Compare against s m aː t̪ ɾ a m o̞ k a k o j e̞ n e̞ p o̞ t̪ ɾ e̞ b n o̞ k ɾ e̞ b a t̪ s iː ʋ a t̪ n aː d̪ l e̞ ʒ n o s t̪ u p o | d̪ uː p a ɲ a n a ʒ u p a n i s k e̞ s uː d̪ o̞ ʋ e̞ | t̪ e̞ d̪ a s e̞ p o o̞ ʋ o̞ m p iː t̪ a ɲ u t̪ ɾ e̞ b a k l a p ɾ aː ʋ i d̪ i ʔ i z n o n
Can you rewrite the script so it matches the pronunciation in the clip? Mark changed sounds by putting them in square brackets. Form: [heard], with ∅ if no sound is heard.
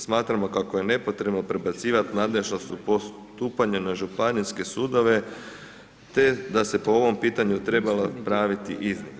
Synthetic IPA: s m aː t̪ ɾ a m o̞ k a k o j e̞ n e̞ p o̞ t̪ ɾ e̞ b n o̞ [p] ɾ e̞ b a t̪ s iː ʋ a t̪ n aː d̪ l e̞ ʒ n o s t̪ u p o | [t̪] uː p a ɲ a n a ʒ u p a n i s k e̞ s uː d̪ o̞ ʋ e̞ | t̪ e̞ d̪ a s e̞ p o o̞ ʋ o̞ m p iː t̪ a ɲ u t̪ ɾ e̞ b a [∅] l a p ɾ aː ʋ i [t̪] i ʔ i z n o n